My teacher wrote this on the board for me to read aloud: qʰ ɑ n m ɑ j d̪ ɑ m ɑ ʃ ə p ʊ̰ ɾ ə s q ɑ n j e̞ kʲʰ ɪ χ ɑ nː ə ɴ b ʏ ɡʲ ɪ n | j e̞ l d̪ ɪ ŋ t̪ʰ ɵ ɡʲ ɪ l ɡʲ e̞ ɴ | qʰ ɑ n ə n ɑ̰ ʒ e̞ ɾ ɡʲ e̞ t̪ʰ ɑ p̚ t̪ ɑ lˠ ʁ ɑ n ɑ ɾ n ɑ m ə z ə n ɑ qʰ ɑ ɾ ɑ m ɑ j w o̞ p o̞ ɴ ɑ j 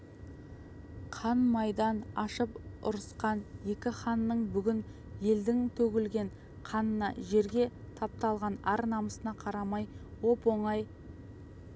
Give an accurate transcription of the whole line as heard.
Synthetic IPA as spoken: qʰ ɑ n m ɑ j d̪ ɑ n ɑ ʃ ə p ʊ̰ ɾ ə s q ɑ n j e̞ kʲ ɪ χ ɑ nː ə ɴ b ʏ ɡʲ ɪ n | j e̞ l d̪ ɪ ŋ t̪ʰ ɵ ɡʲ ɪ l ɡʲ e̞ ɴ | qʰ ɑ n ə n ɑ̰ ʒ e̞ ɾ ɡʲ e̞ t̪ʰ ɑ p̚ t̪ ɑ lˠ ʁ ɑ n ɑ ɾ n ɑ m ə s ə n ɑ qʰ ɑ ɾ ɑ m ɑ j w o̞ p o̞ ɴ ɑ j